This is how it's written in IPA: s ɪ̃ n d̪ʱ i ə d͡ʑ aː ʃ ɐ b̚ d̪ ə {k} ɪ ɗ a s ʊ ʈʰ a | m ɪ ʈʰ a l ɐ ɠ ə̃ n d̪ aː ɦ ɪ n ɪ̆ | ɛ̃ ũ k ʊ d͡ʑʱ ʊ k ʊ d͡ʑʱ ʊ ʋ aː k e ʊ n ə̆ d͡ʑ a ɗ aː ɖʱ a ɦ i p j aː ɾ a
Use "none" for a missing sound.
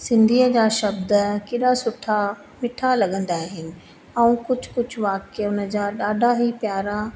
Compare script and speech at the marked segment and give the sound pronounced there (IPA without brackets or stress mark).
k